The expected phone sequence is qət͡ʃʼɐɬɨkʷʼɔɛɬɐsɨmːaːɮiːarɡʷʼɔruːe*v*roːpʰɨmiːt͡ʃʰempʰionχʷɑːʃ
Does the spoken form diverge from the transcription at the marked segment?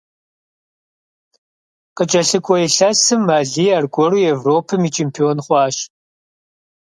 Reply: no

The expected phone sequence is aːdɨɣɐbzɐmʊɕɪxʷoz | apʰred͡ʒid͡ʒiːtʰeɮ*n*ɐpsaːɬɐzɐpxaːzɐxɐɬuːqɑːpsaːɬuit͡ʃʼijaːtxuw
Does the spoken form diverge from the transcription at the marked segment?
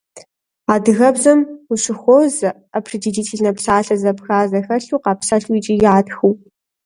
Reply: no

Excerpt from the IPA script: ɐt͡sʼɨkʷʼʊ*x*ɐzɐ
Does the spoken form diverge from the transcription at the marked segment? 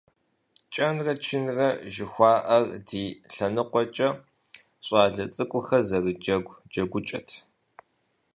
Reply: no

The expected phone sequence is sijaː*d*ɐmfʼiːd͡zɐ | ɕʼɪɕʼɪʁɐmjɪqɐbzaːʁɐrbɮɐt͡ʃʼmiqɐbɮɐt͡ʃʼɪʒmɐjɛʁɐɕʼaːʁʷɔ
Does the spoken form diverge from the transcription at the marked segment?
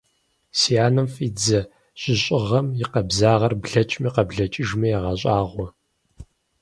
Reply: yes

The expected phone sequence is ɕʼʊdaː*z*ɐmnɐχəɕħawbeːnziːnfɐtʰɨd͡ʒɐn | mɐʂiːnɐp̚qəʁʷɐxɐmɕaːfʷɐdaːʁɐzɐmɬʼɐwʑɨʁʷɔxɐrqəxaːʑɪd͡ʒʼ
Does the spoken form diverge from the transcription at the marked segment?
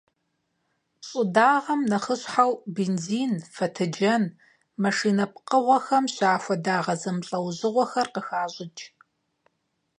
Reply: yes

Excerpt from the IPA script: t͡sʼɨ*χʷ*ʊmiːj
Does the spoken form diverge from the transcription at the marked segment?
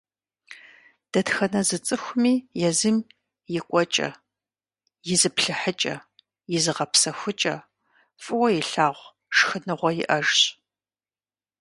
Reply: yes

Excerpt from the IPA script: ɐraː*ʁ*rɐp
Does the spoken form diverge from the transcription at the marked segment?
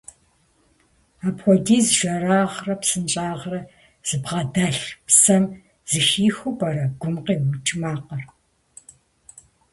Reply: no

